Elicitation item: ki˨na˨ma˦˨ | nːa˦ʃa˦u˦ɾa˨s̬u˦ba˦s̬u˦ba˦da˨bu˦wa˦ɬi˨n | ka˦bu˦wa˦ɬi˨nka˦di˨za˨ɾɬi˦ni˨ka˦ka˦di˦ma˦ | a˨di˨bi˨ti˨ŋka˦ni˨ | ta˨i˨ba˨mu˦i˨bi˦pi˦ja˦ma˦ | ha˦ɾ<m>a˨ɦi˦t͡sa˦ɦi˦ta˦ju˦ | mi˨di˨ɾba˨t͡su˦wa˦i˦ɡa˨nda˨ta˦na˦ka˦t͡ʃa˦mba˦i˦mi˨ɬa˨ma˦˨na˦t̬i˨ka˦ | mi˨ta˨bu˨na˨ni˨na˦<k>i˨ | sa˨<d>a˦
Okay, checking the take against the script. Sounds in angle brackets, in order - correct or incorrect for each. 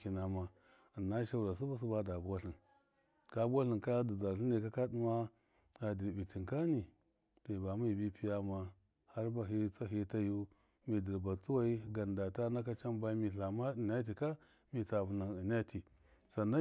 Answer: incorrect: b, incorrect: t, incorrect: n

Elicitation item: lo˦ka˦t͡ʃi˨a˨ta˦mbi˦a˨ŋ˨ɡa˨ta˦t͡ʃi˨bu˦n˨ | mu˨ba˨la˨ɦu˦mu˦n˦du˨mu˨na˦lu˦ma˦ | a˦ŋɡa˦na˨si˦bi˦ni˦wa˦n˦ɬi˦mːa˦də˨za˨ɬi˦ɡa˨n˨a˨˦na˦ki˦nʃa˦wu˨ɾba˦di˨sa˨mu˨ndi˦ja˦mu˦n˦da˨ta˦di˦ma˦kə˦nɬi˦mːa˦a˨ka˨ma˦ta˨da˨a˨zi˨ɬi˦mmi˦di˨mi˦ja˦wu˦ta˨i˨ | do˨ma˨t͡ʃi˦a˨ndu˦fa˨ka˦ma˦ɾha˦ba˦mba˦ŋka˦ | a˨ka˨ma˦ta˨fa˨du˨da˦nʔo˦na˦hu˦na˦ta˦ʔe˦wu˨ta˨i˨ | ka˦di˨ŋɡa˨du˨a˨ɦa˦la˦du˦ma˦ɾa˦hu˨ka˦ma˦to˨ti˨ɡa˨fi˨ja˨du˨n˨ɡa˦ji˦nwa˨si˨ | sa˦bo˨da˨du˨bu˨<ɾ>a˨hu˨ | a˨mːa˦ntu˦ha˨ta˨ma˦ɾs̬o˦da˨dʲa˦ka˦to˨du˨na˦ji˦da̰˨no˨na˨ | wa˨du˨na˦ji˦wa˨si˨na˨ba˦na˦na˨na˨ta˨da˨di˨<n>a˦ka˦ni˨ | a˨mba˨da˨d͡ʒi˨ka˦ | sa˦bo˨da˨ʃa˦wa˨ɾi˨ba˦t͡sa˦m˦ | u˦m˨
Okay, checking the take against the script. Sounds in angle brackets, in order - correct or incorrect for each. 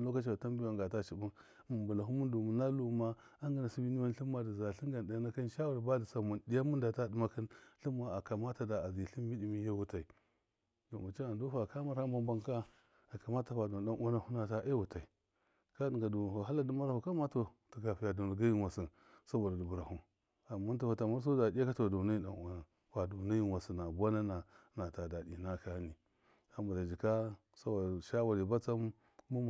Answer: correct, correct

